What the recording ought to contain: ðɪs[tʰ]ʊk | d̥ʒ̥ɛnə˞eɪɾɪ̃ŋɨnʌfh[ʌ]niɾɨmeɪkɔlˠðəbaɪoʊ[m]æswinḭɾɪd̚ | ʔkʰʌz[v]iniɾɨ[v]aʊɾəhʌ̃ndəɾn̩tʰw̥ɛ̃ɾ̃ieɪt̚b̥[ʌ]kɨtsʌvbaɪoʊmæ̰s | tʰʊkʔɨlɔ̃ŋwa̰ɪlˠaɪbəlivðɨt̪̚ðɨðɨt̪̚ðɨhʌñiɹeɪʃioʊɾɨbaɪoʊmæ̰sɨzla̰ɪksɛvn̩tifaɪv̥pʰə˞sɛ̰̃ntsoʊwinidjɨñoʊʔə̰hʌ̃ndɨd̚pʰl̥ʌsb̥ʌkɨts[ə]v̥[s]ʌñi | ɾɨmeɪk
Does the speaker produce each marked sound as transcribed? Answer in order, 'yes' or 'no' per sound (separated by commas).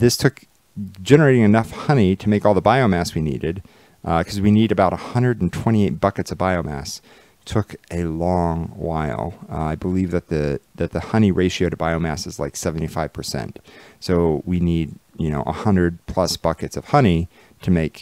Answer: yes, yes, yes, no, no, yes, no, no